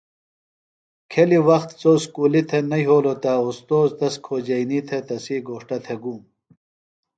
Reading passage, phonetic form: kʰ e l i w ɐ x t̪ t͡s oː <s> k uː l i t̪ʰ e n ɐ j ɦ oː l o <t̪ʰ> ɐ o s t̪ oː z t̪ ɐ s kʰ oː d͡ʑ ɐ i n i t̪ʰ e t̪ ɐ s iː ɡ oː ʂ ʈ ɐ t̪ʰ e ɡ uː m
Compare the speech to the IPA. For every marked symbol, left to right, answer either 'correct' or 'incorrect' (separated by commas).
correct, incorrect